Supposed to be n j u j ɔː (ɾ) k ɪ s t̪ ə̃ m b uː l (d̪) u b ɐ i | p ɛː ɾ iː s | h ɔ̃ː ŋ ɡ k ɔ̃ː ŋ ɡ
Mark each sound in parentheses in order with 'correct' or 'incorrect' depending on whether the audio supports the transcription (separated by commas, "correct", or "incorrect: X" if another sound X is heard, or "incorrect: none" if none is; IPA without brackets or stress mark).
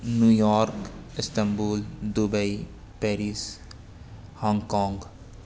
correct, correct